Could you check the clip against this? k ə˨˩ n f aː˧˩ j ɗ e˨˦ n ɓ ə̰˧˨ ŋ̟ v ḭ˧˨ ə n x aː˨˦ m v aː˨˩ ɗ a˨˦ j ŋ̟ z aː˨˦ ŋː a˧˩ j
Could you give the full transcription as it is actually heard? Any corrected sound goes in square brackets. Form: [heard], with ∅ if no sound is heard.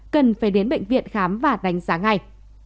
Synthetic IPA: k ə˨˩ n f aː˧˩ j ɗ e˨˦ n ɓ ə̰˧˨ ŋ̟ v ḭ˧˨ ə n x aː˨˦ m v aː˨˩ ɗ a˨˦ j ŋ̟ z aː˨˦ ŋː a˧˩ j